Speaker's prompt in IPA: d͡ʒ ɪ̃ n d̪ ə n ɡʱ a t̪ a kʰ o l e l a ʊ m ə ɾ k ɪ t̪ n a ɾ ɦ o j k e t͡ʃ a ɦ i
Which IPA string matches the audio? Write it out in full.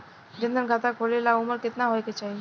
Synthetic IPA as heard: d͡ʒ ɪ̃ n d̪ ə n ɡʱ a t̪ a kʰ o l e l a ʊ m ə ɾ k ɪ t̪ n a ɦ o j k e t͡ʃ a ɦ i